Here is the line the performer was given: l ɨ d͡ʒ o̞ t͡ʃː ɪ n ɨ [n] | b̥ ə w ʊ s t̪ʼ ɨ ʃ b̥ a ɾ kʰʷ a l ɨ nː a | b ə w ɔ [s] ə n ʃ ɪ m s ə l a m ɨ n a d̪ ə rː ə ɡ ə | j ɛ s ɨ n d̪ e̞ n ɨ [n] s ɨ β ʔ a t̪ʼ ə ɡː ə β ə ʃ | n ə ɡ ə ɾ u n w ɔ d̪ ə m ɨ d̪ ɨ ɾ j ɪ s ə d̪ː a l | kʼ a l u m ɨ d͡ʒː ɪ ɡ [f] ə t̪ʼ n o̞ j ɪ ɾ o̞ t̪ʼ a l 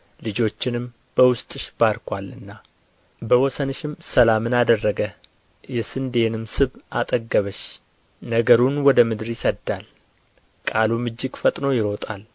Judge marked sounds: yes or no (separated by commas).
no, yes, no, yes